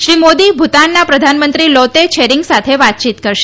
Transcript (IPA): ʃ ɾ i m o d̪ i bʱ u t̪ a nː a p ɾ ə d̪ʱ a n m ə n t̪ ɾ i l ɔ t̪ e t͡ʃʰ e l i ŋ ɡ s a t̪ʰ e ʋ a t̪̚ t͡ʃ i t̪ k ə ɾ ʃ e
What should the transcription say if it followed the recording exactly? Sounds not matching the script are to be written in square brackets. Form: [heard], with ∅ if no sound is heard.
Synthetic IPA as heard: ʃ ɾ i m o d̪ i bʱ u t̪ a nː a p ɾ ə d̪ʱ a n m ə n t̪ ɾ i l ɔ t̪ e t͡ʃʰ e [ɾ] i ŋ ɡ s a t̪ʰ e ʋ a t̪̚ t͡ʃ i t̪ k ə ɾ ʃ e